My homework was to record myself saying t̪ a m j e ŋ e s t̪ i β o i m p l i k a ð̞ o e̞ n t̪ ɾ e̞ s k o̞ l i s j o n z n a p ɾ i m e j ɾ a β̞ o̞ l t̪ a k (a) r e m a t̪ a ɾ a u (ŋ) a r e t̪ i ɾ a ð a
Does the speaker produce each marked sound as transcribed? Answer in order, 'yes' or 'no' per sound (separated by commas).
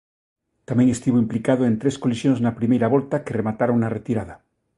no, no